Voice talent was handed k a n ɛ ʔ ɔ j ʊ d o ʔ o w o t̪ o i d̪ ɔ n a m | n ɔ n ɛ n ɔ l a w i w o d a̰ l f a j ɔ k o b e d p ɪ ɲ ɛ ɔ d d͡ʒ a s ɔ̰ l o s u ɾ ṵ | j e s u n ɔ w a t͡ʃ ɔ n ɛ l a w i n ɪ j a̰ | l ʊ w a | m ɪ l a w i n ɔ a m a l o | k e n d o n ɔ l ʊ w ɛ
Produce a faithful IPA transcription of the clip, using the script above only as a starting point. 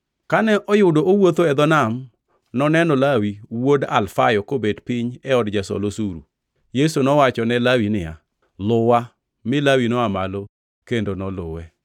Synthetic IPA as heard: k a n ɛ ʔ ɔ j ʊ d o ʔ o w o t̪ o ɛ d̪ ɔ n a m | n ɔ n ɛ n ɔ l a w i w o d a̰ l f a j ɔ k o b e d p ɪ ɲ ɛ ɔ d d͡ʒ a s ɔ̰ l o s u ɾ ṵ | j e s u n ɔ w a t͡ʃ ɔ n ɛ l a w i n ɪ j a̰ | l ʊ w a | m ɪ l a w i n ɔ a m a l o | k e n d o n ɔ l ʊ w ɛ